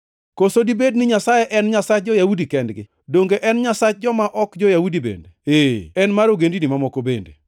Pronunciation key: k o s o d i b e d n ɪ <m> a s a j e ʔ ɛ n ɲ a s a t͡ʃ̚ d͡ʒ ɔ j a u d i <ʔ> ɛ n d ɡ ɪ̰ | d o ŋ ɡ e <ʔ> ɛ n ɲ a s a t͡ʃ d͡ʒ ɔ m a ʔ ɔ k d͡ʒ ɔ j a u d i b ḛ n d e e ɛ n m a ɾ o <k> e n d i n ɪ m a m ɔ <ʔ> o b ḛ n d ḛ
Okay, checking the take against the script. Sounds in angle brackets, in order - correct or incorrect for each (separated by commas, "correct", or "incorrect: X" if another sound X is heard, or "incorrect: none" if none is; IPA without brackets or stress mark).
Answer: incorrect: ɲ, incorrect: k, correct, incorrect: ɡ, incorrect: k